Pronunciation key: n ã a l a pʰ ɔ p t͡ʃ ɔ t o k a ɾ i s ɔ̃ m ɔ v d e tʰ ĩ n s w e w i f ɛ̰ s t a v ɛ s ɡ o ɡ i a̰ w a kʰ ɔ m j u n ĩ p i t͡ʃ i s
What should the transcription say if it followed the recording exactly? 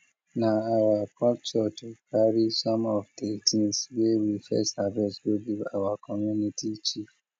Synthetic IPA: n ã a ɾ a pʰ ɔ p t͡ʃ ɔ t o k a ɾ i s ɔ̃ m ɔ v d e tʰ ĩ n s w e w i f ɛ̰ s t a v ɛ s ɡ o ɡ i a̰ w a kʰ ɔ m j u n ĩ t i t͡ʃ i f